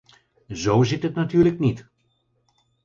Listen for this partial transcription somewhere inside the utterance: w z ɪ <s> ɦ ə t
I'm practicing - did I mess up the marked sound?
yes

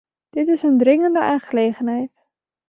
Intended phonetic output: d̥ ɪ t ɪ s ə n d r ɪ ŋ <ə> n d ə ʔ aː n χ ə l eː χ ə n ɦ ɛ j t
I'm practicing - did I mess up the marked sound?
no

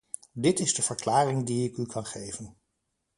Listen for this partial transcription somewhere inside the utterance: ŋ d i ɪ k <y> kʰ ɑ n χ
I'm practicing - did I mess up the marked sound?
no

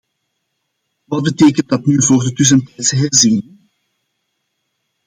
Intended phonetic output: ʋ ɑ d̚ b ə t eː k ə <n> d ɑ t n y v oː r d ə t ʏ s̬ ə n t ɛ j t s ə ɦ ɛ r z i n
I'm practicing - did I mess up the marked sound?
no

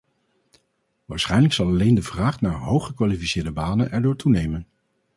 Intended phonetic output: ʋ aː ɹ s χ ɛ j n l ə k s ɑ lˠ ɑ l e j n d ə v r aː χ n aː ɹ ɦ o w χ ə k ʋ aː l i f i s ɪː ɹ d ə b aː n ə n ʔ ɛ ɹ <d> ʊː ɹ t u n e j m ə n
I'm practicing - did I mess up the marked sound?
no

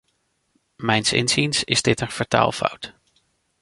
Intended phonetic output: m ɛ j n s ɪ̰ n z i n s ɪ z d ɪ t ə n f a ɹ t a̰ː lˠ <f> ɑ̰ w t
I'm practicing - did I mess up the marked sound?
no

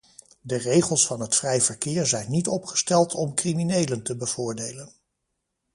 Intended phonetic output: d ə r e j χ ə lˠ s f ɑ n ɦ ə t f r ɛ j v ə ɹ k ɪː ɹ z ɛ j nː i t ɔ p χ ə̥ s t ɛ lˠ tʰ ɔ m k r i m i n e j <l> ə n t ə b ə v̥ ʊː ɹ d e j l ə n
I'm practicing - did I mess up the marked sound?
no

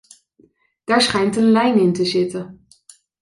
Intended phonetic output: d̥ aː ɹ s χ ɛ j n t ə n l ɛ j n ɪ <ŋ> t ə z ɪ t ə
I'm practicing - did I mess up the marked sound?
yes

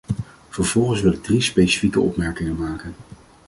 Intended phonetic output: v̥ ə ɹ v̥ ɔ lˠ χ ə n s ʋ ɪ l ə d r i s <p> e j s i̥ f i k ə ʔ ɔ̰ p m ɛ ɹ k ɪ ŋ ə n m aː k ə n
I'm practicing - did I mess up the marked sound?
no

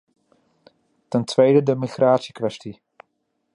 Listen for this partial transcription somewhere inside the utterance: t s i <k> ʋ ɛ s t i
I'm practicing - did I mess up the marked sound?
no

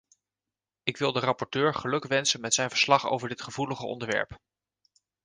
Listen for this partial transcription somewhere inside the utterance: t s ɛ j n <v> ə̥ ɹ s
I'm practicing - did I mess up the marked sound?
no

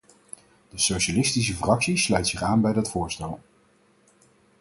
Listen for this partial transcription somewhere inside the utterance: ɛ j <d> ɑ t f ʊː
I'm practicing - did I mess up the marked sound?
no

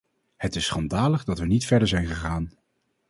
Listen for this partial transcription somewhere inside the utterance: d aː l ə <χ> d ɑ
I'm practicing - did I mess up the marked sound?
no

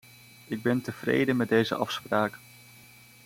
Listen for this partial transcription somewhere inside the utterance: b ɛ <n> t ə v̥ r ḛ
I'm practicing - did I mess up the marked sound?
no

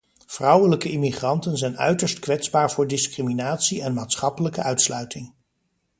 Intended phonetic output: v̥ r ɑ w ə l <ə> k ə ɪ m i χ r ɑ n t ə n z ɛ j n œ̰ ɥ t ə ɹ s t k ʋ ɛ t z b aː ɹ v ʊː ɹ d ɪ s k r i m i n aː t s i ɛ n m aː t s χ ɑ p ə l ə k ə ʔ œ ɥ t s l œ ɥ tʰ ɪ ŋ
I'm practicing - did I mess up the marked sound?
no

